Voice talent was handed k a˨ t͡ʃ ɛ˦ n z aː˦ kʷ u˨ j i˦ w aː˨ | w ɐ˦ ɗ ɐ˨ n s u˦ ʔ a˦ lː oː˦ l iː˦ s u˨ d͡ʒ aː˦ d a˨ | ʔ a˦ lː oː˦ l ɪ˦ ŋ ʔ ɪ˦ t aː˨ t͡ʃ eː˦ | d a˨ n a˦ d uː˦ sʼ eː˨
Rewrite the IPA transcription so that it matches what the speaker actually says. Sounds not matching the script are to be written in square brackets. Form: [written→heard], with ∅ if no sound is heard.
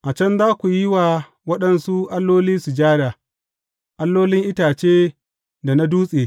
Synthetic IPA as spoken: [k→ʔ] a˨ t͡ʃ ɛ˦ n z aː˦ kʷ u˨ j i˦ w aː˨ | w ɐ˦ ɗ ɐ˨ n s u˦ ʔ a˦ lː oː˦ l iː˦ s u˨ d͡ʒ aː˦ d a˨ | ʔ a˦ lː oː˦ l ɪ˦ ŋ ʔ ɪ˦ t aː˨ t͡ʃ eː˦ | d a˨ n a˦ d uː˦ sʼ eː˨